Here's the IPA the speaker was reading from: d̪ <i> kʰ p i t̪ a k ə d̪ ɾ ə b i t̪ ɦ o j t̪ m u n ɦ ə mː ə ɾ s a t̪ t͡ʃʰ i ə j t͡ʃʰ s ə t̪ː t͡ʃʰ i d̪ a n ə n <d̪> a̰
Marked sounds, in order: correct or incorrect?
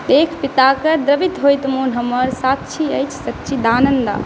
incorrect: e, correct

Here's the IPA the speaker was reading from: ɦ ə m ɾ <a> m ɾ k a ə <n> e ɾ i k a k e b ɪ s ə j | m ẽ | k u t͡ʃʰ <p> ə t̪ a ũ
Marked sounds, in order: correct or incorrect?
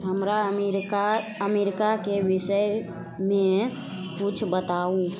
correct, incorrect: m, incorrect: b

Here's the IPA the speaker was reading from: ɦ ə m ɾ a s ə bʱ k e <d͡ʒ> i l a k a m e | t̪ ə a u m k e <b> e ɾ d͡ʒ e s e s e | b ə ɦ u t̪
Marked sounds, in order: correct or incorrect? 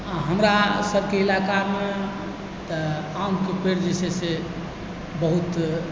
incorrect: none, incorrect: p

